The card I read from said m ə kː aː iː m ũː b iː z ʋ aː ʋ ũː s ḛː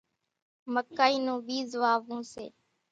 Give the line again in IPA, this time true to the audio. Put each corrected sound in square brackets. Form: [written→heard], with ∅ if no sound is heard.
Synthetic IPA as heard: m ə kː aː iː [m→n] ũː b iː z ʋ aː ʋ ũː s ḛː